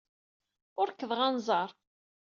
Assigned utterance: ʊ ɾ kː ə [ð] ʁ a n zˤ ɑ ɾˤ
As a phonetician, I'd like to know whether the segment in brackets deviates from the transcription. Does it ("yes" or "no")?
no